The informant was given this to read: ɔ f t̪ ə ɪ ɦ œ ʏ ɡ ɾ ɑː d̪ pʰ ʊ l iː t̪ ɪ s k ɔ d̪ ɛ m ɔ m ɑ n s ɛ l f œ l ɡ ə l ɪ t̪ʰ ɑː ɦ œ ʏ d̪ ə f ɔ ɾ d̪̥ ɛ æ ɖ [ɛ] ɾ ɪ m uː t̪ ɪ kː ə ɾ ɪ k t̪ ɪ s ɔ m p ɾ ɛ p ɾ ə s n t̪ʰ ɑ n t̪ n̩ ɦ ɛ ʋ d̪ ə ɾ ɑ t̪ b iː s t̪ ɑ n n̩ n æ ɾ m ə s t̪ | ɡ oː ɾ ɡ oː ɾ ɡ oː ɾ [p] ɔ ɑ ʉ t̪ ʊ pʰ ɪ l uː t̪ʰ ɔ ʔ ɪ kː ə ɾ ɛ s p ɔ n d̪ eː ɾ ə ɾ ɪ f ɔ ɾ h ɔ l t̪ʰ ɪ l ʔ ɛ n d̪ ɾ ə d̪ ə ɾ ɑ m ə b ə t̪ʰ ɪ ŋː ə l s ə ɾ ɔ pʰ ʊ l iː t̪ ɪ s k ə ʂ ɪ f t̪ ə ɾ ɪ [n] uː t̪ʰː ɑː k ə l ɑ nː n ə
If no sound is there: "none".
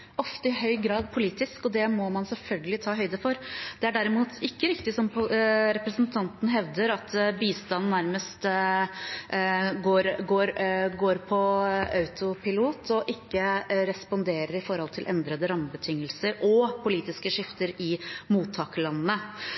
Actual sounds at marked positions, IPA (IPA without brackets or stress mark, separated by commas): æ, pʰ, m